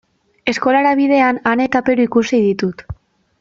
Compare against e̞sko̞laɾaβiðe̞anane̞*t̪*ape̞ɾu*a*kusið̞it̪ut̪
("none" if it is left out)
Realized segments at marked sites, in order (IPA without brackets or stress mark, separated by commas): t̪, i